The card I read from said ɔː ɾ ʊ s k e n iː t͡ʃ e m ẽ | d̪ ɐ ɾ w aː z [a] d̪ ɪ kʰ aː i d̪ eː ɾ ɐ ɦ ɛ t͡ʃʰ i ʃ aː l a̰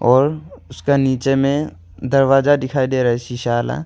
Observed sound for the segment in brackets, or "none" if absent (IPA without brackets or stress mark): a